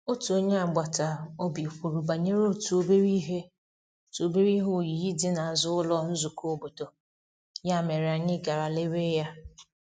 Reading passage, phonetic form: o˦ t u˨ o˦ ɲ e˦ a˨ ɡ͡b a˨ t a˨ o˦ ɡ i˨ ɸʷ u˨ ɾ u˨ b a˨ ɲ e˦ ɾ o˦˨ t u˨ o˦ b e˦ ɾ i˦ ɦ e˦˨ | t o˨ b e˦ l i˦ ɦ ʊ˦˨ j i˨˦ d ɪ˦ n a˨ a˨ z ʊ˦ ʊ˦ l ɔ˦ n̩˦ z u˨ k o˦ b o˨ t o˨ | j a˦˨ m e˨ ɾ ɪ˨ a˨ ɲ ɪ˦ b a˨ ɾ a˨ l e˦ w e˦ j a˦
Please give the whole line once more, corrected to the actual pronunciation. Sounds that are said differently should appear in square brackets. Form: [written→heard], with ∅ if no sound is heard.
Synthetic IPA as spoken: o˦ t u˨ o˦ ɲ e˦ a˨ ɡ͡b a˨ t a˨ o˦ [ɡ→b] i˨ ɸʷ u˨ ɾ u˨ b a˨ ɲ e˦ ɾ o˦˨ t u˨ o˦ b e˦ ɾ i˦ ɦ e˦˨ | t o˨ b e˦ [l→ɾ] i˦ ɦ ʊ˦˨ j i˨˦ d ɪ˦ n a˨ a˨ z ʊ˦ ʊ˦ l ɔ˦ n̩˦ z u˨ k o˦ b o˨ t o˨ | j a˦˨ m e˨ ɾ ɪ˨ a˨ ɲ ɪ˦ [b→ɡ] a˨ ɾ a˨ l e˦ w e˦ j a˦

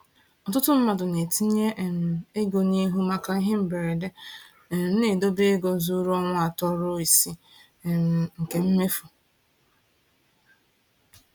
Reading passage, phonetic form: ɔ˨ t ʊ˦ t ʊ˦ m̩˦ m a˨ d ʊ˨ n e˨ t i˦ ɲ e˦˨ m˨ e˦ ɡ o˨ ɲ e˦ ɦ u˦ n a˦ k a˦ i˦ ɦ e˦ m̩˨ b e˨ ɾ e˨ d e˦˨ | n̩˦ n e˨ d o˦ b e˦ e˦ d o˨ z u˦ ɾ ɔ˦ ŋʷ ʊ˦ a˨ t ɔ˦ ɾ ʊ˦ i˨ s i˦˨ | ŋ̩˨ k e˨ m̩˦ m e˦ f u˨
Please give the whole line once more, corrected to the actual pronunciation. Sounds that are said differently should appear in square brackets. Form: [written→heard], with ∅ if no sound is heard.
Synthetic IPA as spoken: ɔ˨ t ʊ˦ t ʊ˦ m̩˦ m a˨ d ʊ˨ n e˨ t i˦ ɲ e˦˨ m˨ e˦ ɡ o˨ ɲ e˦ ɦ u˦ [n→m] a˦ k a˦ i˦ ɦ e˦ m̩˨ b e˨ ɾ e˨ d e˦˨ | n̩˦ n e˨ d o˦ b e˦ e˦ [d→ɡ] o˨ z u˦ ɾ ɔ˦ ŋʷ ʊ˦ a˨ t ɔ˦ ɾ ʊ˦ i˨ s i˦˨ | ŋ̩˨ k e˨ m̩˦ m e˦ f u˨

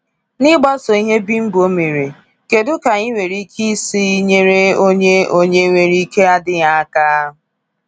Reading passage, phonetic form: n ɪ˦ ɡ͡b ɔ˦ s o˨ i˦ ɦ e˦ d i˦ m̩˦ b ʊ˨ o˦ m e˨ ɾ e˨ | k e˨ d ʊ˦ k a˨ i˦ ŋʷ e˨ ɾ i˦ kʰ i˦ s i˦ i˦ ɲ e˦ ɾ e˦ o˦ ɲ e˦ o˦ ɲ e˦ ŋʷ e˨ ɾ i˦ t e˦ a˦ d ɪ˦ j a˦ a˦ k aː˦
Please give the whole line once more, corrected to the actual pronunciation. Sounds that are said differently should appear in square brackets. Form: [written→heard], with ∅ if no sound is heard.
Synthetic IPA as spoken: n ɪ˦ ɡ͡b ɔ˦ s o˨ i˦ ɦ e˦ [d→b] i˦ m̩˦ b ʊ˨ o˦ m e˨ ɾ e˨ | k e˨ d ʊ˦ k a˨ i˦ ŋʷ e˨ ɾ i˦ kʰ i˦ s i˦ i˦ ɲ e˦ ɾ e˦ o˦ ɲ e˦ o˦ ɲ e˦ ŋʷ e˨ ɾ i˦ [t→k] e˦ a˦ d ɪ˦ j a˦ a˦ k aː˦

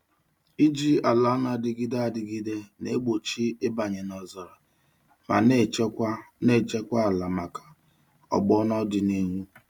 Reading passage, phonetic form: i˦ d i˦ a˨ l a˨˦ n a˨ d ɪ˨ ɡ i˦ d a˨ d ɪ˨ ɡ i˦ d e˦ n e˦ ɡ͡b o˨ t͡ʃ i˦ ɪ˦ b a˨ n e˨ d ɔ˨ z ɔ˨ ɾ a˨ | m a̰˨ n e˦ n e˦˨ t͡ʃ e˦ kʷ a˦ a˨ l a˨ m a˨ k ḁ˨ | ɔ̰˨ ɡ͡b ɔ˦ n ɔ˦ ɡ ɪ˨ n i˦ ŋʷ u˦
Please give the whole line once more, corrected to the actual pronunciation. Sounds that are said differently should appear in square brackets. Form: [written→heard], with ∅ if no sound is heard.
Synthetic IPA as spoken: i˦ [d→d͡ʒ] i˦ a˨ l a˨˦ n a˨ d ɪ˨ ɡ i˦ d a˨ d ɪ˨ ɡ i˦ d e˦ n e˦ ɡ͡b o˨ t͡ʃ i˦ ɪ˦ b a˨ [n→ɲ] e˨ [d→n] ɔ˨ z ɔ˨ ɾ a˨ | m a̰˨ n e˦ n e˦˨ t͡ʃ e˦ kʷ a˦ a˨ l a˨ m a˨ k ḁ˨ | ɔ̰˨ ɡ͡b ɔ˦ n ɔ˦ [ɡ→d] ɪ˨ n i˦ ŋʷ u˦

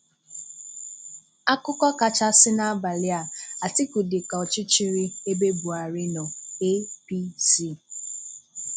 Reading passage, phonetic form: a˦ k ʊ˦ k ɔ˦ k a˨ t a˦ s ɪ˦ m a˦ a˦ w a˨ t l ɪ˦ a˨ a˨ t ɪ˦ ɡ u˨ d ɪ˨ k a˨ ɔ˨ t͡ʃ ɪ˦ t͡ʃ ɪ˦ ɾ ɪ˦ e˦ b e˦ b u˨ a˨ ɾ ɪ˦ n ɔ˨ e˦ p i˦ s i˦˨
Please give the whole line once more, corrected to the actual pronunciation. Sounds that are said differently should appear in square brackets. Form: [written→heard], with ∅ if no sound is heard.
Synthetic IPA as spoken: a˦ k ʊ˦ k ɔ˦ k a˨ [t→t͡ʃ] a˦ s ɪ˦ [m→n] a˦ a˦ [w→b] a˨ [t→∅] l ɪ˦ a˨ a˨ t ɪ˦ [ɡ→k] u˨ d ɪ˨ k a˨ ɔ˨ t͡ʃ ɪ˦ t͡ʃ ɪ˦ ɾ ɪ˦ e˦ b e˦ b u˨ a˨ ɾ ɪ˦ n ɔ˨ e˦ p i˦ s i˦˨

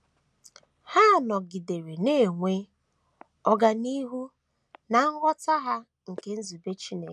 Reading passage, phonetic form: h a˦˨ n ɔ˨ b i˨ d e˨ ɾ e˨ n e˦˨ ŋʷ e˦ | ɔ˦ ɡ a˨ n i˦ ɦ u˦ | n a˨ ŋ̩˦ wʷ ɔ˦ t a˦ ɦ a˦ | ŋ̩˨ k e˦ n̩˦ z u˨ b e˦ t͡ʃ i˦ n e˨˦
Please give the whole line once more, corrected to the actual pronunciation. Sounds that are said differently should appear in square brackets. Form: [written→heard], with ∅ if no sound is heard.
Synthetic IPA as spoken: h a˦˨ n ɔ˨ [b→ɡ] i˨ d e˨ ɾ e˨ n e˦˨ ŋʷ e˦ | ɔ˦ ɡ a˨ n i˦ ɦ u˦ | n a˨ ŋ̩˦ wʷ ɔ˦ t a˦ ɦ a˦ | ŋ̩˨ k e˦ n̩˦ z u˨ b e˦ t͡ʃ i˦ n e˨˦

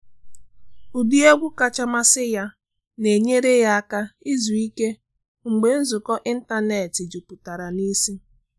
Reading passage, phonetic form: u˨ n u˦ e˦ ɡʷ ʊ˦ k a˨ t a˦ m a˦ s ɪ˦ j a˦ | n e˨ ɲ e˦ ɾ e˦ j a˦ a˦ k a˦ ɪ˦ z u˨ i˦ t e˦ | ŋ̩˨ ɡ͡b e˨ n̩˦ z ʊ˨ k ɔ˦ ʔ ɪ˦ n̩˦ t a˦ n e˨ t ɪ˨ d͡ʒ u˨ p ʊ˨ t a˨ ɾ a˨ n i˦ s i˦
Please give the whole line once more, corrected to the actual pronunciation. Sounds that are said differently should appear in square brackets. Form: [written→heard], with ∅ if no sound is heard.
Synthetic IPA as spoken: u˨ [n→d] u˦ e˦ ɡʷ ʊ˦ k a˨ [t→t͡ʃ] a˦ m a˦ s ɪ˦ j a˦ | n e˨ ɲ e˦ ɾ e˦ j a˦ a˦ k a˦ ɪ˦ z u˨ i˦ [t→k] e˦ | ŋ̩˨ ɡ͡b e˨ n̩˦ z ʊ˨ k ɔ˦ ʔ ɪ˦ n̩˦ t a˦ n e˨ t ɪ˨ d͡ʒ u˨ p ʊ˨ t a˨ ɾ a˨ n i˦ s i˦

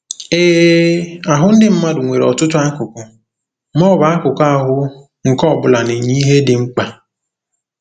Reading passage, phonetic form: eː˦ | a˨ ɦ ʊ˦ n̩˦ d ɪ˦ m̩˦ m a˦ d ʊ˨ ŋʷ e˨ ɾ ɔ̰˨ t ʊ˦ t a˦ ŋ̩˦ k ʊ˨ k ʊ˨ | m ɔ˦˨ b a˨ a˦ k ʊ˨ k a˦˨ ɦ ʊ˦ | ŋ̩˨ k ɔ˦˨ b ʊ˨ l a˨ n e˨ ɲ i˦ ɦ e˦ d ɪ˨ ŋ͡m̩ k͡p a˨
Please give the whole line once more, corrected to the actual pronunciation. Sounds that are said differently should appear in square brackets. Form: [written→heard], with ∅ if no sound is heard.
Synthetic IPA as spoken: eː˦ | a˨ ɦ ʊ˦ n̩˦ d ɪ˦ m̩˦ m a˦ d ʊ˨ ŋʷ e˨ ɾ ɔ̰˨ t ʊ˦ t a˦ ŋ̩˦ k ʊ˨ k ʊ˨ | m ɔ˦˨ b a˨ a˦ k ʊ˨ k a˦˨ ɦ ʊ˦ | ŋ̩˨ k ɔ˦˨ b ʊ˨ l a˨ n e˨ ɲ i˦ ɦ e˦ d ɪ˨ ŋ͡m̩ k͡p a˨

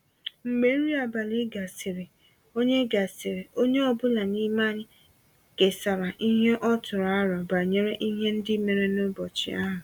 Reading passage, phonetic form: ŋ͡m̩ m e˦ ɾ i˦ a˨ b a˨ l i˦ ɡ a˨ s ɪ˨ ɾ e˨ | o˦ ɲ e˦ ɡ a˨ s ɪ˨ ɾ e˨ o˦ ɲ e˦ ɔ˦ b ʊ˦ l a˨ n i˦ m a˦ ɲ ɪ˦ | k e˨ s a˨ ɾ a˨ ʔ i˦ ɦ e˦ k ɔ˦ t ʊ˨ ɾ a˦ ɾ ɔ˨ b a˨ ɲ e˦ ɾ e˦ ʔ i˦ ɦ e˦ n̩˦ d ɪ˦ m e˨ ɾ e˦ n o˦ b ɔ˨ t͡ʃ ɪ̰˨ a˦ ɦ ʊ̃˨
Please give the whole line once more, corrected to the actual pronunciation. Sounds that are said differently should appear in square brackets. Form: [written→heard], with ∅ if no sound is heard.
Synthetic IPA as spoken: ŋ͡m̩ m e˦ ɾ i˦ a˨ b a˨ l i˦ ɡ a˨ s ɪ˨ ɾ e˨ | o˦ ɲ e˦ ɡ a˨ s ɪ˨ ɾ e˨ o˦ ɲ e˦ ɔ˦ b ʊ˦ l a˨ n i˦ m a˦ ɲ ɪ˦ | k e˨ s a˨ ɾ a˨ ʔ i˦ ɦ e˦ [k→ʔ] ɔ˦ t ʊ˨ ɾ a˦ ɾ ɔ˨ b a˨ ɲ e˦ ɾ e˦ ʔ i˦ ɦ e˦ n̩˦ d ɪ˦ m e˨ ɾ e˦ n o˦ b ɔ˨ t͡ʃ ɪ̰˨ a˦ ɦ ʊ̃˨

